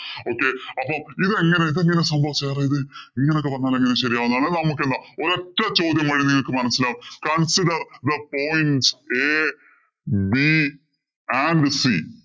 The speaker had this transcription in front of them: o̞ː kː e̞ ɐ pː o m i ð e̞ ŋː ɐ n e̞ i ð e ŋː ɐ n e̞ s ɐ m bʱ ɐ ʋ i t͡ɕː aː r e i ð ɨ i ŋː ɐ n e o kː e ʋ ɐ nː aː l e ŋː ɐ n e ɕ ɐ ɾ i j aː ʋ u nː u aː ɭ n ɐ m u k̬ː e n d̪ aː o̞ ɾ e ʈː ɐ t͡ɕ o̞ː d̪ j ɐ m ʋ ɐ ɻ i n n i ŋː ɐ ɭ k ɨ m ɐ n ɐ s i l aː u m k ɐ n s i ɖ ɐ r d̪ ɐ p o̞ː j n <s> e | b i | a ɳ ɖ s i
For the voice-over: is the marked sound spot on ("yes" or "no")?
yes